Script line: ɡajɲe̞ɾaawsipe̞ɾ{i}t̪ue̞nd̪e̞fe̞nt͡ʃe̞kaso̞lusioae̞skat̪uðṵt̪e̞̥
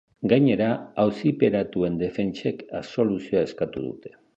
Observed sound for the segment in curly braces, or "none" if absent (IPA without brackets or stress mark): a